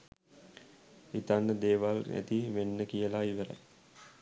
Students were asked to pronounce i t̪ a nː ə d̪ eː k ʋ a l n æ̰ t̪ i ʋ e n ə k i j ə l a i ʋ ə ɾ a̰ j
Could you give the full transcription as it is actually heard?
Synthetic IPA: i t̪ a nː ə d̪ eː ʋ a l n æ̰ t̪ i ʋ e nː ə k i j ə l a i ʋ ə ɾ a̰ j